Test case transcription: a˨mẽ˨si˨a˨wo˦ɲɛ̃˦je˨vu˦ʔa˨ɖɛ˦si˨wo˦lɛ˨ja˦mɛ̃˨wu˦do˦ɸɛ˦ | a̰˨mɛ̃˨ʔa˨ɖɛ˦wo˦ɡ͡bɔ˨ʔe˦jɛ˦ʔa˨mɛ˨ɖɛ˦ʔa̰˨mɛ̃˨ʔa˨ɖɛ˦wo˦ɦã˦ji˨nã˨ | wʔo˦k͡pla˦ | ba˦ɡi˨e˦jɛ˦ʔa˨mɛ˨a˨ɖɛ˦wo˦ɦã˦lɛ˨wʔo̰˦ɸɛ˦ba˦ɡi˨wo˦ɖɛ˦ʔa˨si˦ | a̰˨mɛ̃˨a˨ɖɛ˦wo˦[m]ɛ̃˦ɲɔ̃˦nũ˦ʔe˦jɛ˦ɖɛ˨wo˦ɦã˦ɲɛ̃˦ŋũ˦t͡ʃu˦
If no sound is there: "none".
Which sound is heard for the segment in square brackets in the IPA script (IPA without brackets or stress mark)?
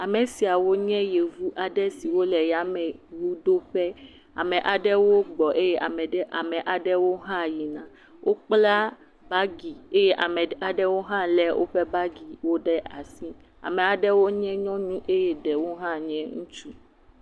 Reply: ɲ